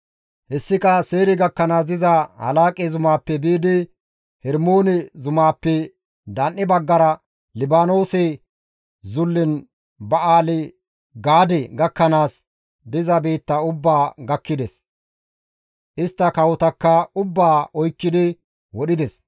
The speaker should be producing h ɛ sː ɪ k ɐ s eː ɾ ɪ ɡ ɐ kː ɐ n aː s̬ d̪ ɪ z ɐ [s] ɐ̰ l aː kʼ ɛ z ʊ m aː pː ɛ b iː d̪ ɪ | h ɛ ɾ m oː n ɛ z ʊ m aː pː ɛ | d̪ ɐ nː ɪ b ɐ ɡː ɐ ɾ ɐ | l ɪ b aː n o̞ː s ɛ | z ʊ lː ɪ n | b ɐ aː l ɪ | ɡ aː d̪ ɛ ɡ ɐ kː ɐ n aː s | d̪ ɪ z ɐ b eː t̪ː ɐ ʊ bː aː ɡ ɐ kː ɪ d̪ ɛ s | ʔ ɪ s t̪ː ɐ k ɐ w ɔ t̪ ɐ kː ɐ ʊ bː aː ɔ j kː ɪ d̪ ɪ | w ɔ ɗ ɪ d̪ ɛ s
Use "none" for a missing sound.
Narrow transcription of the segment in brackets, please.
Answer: h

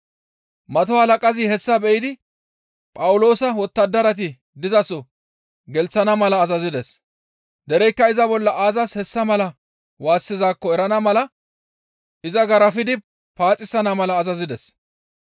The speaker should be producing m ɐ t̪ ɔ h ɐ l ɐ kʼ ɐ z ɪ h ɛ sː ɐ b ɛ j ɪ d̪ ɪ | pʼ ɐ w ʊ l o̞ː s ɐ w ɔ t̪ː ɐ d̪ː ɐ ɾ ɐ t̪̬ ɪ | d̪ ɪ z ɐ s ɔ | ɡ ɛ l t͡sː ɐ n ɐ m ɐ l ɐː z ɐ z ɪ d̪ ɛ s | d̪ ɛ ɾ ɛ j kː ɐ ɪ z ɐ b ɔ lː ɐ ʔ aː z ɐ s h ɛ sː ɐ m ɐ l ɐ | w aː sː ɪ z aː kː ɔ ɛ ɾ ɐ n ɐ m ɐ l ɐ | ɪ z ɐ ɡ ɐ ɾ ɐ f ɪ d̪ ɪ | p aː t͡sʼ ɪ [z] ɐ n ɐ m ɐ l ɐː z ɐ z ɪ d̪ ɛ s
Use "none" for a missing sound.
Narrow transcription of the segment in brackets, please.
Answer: s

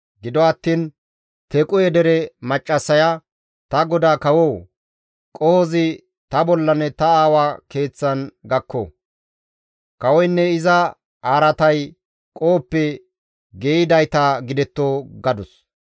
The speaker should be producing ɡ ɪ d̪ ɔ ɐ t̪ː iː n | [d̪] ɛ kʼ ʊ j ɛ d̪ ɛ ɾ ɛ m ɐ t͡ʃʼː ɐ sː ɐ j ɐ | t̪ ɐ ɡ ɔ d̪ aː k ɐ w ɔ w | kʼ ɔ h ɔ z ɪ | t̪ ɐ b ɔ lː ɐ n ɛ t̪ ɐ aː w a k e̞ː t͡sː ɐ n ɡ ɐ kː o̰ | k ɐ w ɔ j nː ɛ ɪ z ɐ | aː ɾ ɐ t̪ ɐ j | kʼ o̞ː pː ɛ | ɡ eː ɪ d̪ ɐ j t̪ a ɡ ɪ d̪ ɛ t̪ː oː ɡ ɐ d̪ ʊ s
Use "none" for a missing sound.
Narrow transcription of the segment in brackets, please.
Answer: t̪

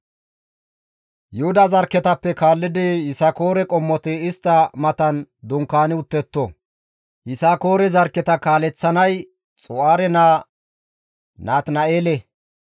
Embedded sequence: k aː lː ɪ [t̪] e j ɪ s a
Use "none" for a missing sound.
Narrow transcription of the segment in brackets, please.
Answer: d̪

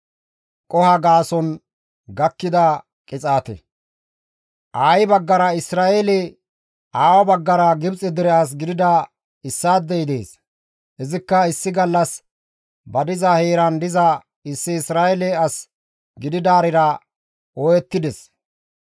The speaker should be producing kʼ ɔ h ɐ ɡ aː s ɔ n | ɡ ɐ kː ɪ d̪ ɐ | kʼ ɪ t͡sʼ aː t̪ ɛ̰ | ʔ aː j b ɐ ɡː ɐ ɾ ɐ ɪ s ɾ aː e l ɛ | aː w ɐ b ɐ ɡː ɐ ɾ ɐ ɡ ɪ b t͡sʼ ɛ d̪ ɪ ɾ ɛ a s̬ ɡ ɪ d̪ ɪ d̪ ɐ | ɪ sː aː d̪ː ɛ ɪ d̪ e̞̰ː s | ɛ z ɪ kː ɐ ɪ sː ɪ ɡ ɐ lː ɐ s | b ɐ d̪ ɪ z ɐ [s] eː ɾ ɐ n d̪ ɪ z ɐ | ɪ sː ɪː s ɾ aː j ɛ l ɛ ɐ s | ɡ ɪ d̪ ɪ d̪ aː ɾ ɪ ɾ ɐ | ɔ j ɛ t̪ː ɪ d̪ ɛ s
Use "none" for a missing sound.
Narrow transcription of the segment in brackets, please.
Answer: h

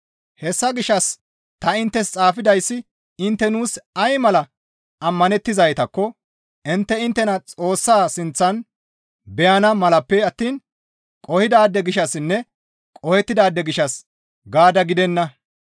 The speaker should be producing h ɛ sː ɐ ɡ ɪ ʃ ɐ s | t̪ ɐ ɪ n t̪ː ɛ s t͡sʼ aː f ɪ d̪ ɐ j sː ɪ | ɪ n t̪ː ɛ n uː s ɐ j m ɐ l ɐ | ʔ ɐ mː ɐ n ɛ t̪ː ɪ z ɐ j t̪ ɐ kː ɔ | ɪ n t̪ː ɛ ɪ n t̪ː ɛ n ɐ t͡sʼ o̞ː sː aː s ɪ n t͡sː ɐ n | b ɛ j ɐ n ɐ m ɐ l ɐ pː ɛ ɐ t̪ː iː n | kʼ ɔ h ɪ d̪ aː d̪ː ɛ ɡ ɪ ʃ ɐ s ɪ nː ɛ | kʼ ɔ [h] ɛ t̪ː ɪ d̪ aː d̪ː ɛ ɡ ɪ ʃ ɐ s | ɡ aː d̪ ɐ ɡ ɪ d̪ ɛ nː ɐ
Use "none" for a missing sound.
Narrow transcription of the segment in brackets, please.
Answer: h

